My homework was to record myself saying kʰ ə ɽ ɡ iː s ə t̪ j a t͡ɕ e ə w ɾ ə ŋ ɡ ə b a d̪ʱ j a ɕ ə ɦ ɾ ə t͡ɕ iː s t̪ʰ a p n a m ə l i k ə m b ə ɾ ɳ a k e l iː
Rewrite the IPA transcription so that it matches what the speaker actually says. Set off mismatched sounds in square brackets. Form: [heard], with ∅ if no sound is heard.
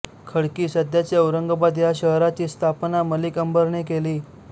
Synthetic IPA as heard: kʰ ə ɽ [k] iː s ə [d̪] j a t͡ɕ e ə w ɾ ə ŋ ɡ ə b a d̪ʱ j a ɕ ə ɦ ɾ [a] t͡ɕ iː s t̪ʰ a p n a m ə l i k ə m b ə ɾ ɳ [e] k e l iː